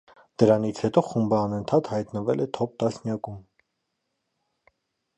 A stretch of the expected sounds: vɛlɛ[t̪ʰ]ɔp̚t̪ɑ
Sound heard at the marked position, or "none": t̪ʰ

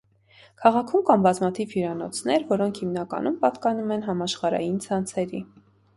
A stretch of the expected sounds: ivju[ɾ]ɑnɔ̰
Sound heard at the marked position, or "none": ɾ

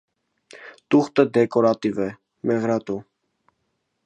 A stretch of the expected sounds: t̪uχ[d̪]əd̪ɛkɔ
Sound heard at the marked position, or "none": t̪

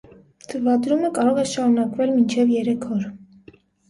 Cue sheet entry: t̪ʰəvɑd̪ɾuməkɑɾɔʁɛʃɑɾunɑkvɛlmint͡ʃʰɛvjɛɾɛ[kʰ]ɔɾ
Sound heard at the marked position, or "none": kʰ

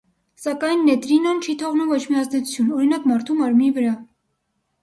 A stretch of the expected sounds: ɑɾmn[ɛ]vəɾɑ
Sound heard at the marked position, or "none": i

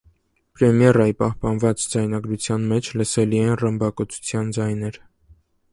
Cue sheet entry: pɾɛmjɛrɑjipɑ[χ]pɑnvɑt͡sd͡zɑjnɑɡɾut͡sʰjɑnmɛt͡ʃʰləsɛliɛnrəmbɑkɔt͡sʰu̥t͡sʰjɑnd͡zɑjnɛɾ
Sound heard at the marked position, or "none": h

